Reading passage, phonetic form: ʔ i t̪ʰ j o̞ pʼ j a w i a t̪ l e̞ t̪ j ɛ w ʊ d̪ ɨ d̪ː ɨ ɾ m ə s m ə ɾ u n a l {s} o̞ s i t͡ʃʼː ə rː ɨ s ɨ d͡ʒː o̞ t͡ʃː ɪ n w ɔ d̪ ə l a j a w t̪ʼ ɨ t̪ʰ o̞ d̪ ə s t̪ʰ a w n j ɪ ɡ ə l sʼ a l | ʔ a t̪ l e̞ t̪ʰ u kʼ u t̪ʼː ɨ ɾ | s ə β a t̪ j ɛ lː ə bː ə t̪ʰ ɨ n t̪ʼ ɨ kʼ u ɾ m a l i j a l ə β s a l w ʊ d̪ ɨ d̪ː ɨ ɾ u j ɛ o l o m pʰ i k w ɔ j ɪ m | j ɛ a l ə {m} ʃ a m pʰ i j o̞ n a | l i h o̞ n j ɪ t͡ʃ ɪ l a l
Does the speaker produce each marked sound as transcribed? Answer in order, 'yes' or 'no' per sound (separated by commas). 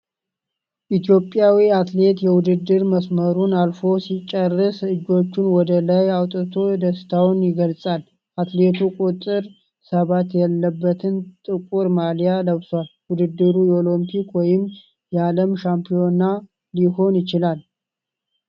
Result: no, yes